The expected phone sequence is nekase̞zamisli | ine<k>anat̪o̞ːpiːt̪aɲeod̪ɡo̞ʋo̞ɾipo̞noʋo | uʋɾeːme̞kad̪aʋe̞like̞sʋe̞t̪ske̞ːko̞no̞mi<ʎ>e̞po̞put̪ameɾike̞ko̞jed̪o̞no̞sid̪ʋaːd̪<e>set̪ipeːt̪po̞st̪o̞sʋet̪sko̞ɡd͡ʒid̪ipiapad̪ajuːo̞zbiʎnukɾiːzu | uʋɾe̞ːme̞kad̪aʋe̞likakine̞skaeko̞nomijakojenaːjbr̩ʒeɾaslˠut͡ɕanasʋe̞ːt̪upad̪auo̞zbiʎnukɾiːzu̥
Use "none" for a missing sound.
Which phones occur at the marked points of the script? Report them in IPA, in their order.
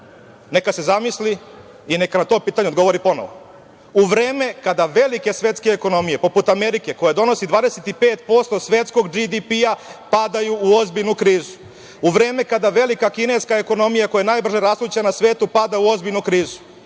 k, j, e

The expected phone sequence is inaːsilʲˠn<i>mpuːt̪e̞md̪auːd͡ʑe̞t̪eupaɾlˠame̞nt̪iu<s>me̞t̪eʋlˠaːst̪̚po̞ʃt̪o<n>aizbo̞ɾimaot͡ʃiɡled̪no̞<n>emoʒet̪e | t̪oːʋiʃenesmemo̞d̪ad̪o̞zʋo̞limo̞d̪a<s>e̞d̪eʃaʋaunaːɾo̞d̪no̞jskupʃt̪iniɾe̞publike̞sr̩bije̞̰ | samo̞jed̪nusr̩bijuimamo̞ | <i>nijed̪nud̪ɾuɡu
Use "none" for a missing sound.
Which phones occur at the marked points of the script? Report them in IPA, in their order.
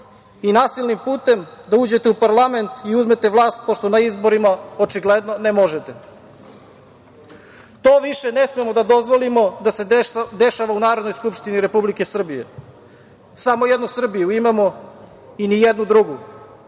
i, z, n, n, s, i

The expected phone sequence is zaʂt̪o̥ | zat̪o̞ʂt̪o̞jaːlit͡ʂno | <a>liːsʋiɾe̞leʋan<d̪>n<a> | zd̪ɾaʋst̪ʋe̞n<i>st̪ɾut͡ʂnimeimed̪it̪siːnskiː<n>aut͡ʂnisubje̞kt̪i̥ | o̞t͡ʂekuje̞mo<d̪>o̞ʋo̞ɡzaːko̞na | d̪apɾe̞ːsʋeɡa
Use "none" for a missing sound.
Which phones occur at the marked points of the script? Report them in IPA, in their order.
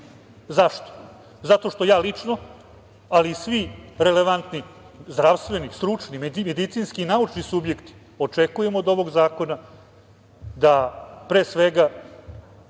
a, t̪, i, i, n, d̪

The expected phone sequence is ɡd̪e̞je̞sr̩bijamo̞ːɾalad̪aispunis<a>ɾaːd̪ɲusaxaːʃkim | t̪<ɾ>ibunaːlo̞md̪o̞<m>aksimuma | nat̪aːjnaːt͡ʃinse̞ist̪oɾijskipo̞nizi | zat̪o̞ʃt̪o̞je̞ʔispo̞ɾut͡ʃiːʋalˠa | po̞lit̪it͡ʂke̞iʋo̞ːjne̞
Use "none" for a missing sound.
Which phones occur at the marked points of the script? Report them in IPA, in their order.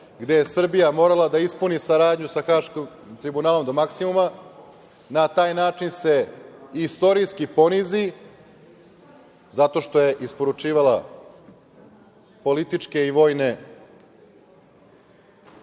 a, ɾ, m

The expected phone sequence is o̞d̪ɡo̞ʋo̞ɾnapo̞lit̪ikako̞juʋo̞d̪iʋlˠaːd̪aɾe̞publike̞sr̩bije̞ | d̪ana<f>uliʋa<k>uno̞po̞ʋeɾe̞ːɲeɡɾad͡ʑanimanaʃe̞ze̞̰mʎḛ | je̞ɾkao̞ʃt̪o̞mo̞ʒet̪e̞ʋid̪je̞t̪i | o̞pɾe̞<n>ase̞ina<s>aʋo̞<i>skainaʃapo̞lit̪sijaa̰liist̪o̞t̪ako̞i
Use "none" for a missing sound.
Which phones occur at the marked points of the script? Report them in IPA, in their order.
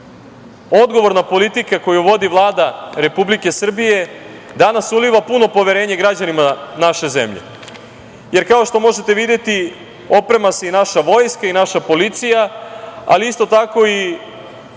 s, p, m, ʃ, j

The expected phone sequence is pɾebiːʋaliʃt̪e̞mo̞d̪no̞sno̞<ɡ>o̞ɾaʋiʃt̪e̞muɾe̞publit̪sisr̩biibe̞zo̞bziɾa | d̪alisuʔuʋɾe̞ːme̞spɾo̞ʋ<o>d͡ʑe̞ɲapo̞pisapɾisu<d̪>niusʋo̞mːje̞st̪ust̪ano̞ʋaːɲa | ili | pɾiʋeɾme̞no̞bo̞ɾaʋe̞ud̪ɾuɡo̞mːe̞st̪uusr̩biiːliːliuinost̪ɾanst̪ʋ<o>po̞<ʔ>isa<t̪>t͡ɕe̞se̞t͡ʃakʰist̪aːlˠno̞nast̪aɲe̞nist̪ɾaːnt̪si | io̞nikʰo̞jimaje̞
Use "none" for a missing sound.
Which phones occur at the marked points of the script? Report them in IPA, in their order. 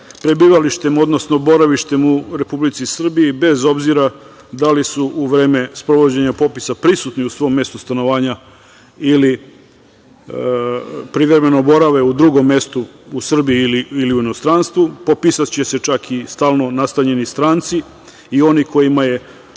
b, o, t̪, u, p, t̪

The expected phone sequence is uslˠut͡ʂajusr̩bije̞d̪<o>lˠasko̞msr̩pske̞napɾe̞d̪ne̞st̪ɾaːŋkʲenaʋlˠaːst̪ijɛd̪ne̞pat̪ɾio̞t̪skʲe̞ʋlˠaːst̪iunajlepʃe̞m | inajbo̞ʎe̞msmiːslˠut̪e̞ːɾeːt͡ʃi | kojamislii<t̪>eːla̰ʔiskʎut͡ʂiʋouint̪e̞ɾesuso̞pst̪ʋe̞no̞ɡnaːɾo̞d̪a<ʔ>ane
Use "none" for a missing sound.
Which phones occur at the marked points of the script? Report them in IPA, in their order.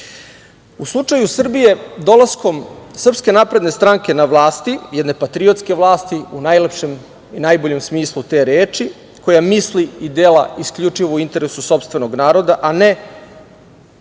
o, d̪, ʔ

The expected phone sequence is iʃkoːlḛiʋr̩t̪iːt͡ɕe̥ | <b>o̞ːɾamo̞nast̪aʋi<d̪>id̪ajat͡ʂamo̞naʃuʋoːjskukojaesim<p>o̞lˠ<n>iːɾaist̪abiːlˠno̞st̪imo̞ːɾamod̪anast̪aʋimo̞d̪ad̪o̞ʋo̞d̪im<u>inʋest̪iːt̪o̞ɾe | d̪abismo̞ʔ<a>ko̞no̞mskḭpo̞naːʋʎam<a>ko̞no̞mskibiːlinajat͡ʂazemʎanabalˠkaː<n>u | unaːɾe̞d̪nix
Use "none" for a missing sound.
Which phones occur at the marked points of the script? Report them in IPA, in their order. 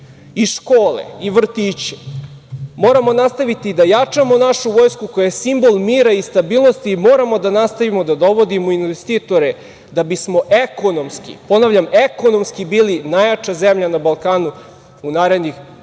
m, t̪, b, m, o, e, e, n

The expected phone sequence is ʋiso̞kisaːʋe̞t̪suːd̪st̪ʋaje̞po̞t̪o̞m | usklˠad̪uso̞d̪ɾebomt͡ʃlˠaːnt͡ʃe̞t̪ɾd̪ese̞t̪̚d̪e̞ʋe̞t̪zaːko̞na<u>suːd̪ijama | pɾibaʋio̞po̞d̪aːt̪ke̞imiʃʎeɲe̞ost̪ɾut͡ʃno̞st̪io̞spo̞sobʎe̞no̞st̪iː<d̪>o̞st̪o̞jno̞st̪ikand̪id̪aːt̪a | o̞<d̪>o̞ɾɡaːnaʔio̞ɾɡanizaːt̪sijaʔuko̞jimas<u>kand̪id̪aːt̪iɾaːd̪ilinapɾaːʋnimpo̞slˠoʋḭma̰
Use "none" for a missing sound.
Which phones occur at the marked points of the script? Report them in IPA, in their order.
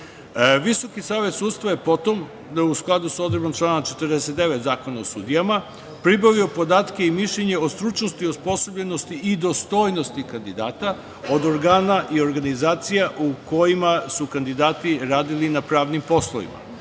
o, d̪, d̪, u

